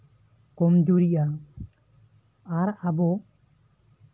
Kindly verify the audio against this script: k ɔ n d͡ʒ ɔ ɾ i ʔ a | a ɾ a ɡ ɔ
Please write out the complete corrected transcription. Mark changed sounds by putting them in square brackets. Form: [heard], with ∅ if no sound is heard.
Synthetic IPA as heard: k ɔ [m] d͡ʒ [u] ɾ i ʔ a | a ɾ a [b] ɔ